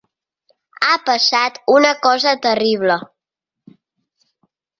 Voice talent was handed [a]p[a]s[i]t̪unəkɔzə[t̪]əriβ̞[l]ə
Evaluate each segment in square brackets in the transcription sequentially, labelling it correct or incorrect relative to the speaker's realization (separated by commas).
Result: correct, incorrect, incorrect, correct, correct